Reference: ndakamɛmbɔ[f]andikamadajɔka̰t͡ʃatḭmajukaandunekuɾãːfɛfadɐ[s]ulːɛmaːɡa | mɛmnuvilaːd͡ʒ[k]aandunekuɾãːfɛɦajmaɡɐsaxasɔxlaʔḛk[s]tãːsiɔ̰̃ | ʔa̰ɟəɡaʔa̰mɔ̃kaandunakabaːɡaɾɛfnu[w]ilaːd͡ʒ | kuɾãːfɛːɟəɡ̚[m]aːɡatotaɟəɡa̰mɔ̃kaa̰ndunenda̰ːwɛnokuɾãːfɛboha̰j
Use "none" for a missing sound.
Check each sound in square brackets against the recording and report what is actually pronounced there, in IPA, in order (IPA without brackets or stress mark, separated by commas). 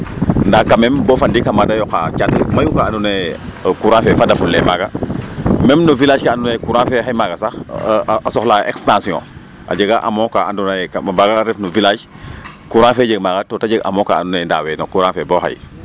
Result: f, f, k, s, v, m